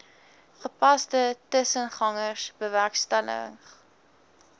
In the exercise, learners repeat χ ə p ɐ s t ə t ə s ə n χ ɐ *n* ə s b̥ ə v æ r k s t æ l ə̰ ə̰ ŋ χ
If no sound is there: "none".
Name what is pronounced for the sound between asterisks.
ŋ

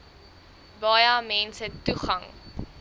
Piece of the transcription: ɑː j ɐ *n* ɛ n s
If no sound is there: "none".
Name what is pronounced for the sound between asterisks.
m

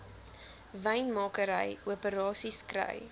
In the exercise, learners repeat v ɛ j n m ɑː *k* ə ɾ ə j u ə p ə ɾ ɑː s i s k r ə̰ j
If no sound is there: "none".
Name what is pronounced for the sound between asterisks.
k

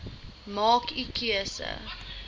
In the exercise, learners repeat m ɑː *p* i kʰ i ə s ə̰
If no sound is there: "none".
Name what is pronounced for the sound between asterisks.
k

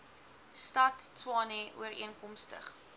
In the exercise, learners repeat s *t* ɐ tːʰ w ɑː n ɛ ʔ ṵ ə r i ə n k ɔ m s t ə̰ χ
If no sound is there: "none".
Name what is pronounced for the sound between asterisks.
t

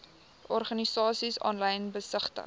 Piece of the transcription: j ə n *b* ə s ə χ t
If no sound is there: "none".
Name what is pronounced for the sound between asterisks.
b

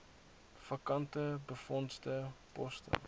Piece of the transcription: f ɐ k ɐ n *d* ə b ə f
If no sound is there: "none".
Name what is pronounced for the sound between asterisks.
t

